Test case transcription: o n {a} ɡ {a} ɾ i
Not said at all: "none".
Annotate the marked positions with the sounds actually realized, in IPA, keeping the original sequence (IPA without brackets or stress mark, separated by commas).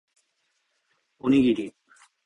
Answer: i, i